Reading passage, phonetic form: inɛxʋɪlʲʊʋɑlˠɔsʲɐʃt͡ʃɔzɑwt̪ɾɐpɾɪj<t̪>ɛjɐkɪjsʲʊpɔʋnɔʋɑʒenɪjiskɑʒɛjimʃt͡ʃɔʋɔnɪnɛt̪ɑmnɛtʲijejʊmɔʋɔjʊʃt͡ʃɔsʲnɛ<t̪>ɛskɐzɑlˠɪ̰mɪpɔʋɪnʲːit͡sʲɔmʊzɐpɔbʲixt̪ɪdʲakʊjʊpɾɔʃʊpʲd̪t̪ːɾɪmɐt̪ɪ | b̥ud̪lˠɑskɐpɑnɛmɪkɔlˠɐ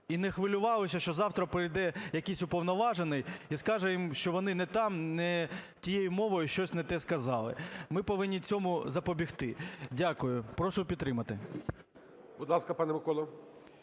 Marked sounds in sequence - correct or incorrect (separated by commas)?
incorrect, correct